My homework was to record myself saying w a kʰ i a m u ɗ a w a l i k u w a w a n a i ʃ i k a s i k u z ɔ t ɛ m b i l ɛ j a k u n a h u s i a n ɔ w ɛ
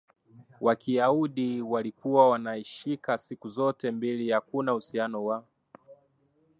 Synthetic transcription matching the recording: w a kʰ i a u ɗ i w a l i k u w a w a n a i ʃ i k a s i k u z ɔ t ɛ m b i l i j a k u n a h u s i a n ɔ w a